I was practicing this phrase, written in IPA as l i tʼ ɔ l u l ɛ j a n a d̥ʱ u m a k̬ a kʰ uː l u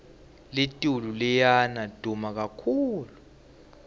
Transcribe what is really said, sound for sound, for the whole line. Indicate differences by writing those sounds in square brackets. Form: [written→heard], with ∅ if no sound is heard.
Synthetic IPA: l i tʼ [ɔ→u] l u l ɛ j a n a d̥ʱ u m a k̬ a kʰ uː l u